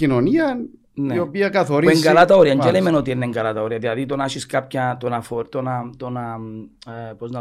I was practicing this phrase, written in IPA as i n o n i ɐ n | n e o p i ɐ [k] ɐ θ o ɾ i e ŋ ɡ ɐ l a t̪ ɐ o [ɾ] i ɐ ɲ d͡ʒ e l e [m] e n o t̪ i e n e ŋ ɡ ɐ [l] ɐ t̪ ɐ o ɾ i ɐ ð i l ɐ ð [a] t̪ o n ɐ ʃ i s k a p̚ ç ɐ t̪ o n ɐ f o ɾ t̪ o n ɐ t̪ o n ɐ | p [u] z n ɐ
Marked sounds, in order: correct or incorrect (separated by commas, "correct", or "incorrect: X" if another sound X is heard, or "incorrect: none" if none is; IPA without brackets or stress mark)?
correct, correct, correct, correct, incorrect: i, incorrect: o